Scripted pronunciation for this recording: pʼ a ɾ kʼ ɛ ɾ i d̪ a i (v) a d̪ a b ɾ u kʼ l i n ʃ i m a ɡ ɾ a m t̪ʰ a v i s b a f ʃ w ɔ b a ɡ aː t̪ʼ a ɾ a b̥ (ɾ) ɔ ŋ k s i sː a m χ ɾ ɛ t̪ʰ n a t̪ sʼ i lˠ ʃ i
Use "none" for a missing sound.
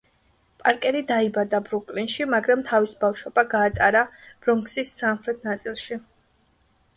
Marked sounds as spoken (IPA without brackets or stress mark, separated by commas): b, ɾ